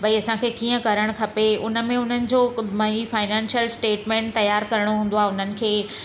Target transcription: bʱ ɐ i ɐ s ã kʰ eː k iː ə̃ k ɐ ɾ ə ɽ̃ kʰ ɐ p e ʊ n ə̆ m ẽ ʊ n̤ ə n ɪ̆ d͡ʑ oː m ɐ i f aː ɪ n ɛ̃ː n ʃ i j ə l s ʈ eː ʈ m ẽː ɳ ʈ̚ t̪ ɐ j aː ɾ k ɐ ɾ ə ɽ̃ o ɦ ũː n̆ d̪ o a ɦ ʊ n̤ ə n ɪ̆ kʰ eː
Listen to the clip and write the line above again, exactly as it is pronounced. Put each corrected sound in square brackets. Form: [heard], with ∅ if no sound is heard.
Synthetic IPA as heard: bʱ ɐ i ɐ s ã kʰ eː k iː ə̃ k ɐ ɾ ə ɽ̃ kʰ ɐ p e ʊ n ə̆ m ẽ ʊ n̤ ə n ɪ̆ d͡ʑ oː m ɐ i f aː ɪ n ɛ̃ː n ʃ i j ə l s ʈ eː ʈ m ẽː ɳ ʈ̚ t̪ ɐ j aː ɾ k ɐ ɾ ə ɽ̃ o ɦ ũː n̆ d̪ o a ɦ ʊ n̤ ə n ɪ̆ kʰ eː